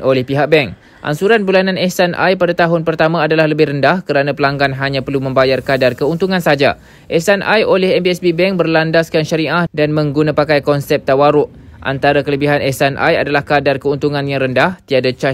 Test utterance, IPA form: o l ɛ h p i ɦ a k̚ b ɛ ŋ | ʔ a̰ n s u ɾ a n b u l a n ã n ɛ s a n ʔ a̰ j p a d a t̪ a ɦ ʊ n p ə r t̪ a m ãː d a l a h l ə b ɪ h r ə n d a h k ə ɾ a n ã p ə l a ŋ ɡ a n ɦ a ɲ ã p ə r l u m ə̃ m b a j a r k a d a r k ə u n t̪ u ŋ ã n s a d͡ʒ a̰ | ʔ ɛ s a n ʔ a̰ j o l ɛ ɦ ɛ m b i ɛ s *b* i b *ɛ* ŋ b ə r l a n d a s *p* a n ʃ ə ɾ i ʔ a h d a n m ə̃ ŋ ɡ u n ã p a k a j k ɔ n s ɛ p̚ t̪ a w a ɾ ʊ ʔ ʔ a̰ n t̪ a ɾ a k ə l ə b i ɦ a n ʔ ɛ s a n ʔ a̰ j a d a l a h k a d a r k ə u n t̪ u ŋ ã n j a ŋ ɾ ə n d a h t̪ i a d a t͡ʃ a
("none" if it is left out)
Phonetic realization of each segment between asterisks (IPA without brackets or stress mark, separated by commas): b, ɛ, k